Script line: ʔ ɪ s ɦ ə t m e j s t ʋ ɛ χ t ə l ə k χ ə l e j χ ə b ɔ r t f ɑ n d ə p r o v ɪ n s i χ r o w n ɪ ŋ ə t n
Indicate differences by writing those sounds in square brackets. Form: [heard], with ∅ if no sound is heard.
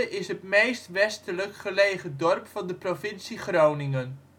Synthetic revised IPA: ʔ ɪ s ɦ ə t m e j s t ʋ ɛ [s] t ə l ə k χ ə l e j χ ə [d] ɔ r [p] f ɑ n d ə p r o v ɪ n s i χ r o w n ɪ ŋ ə [∅] n

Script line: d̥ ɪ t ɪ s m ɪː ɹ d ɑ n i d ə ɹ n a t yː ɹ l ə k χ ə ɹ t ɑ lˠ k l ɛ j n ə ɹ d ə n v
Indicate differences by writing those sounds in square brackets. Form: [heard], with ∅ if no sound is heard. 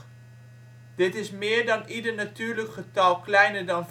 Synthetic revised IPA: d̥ ɪ t ɪ s m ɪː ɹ d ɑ n i d ə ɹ n a t yː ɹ l ə k χ ə [∅] t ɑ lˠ k l ɛ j n ə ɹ d [ɑ] n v

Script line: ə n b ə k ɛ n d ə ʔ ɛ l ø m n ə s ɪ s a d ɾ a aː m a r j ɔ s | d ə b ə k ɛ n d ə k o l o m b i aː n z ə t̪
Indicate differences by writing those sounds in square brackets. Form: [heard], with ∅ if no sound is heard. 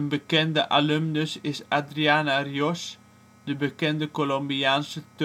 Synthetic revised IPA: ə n b ə k ɛ n d ə ʔ [a] l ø m n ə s ɪ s a d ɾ [i] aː [n] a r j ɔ s | d ə b ə k ɛ n d ə k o l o m b i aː n [s] ə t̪

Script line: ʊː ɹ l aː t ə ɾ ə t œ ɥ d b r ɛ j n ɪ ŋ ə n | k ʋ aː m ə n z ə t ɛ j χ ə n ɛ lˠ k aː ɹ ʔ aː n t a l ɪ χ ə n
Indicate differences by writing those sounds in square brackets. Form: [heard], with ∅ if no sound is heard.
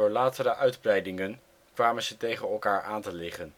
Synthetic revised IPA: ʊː ɹ l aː t ə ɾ ə [ʔ] œ ɥ d b r ɛ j [d] ɪ ŋ ə n | k ʋ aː m ə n z ə t [e] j χ ə n ɛ lˠ k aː ɹ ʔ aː n t [ə] l ɪ χ ə n

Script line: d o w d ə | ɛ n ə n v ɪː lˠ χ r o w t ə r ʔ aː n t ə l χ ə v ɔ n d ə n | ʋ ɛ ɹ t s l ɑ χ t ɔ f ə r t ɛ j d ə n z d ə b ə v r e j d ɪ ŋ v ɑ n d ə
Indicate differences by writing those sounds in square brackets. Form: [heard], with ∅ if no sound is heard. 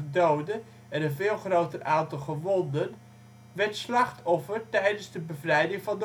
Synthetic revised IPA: d o w d ə | ɛ n ə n v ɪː lˠ χ r o w t ə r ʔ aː n t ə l χ ə [ʋ] ɔ n d ə n | ʋ ɛ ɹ t s l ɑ χ t ɔ f ə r t ɛ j d ə n z d ə b ə v r [ɛ] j d ɪ ŋ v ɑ n d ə

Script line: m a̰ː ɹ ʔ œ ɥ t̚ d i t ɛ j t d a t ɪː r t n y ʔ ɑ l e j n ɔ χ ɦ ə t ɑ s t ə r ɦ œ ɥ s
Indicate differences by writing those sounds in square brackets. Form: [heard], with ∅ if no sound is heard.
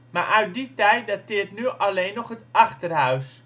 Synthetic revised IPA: m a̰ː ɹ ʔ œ ɥ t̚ d i t ɛ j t d a t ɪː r t n y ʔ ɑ l e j n ɔ χ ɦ ə t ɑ [χ] t ə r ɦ œ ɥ s

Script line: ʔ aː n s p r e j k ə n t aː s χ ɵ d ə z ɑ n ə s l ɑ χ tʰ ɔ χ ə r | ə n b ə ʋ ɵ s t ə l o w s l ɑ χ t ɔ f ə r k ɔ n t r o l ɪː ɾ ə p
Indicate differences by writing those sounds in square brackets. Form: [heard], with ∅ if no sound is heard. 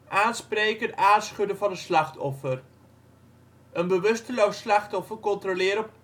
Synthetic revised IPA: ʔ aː n s p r e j k ə n t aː s χ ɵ d ə [v] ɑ n ə s l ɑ χ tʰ ɔ [f] ə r | ə n b ə ʋ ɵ s t ə l o w s l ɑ χ t ɔ f ə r k ɔ n t r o l ɪː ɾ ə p

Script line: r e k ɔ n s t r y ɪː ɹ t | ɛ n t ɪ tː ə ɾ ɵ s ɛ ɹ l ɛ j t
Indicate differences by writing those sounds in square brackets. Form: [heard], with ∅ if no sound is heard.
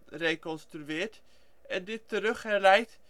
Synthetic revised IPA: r e k ɔ n s t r y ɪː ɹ t | ɛ n [d] ɪ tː ə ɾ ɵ [χ] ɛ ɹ l ɛ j t

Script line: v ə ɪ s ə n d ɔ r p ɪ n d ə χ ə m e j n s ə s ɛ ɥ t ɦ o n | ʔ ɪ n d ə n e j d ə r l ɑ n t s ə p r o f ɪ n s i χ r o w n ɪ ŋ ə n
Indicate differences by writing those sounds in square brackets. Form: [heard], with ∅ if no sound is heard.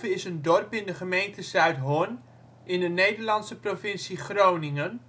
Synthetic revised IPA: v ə ɪ s ə n d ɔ r p ɪ n d ə χ ə m e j n [t] ə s [œ] ɥ t ɦ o n | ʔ ɪ n d ə n e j d ə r l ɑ n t s ə p r o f ɪ n s i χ r o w n ɪ ŋ ə n

